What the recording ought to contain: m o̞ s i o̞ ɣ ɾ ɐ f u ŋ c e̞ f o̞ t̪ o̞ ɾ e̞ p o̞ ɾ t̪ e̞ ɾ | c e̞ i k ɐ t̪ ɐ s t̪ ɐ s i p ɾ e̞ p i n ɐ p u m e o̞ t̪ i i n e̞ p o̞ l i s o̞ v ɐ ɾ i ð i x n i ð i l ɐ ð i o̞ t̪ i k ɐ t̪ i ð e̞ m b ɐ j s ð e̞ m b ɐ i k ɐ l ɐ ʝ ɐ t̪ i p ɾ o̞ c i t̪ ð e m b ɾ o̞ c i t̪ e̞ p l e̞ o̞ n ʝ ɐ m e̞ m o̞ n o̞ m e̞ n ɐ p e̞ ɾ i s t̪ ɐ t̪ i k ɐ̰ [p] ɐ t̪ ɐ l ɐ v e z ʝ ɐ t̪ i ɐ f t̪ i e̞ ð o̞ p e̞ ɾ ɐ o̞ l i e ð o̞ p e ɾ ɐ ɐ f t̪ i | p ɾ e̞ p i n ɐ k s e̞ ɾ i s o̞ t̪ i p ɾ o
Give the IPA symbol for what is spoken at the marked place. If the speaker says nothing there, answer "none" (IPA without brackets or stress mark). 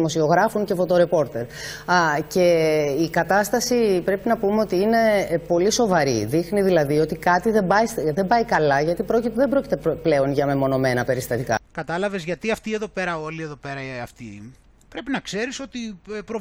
k